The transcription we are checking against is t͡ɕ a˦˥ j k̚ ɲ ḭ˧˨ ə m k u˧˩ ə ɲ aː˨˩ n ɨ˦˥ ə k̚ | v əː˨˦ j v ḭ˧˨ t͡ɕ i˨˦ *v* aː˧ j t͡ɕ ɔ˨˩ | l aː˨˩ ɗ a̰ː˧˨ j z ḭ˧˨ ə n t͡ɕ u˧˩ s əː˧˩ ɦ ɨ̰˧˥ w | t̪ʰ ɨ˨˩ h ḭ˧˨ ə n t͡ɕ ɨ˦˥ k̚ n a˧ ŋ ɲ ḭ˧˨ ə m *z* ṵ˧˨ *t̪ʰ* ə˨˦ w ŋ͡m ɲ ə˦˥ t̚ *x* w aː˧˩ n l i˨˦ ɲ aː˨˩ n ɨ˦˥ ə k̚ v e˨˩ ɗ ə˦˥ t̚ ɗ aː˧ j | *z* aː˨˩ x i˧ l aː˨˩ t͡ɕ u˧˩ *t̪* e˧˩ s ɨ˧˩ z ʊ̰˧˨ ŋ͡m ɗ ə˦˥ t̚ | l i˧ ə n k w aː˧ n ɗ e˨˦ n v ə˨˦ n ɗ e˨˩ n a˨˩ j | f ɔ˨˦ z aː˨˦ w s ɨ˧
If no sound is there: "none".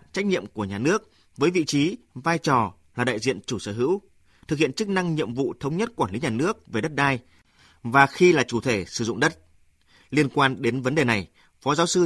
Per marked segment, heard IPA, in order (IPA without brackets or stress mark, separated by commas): v, v, t̪ʰ, k, v, t̪ʰ